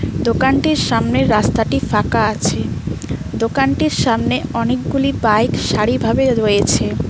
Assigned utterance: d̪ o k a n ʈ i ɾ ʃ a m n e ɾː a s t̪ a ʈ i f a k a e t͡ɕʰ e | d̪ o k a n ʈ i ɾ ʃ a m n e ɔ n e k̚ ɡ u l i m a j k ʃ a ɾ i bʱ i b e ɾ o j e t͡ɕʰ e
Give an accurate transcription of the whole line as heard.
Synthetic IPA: d̪ o k a n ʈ i ɾ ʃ a m n e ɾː a s t̪ a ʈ i f a k a a t͡ɕʰ e | d̪ o k a n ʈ i ɾ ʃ a m n e ɔ n e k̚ ɡ u l i b a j k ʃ a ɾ i bʱ a b e ɾ o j e t͡ɕʰ e